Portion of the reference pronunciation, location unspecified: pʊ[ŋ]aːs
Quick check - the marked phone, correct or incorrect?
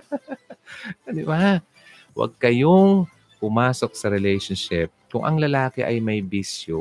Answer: incorrect